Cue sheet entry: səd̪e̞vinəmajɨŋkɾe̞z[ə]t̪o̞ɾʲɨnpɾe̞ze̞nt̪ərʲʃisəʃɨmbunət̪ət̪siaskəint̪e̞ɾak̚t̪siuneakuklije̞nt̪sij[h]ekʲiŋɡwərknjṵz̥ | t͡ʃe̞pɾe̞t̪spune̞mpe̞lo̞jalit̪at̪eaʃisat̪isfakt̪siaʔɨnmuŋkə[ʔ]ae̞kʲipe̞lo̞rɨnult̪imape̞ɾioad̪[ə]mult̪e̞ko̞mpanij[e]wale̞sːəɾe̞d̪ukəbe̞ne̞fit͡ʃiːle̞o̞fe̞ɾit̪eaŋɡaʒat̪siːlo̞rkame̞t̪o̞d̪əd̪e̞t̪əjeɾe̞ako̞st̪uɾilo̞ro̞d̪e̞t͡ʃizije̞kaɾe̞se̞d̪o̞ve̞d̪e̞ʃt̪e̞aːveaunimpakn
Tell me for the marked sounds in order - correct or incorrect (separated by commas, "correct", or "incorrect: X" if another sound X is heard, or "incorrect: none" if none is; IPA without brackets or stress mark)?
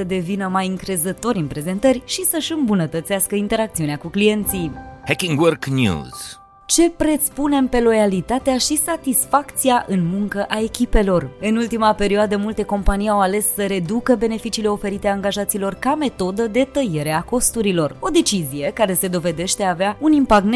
correct, correct, correct, correct, incorrect: a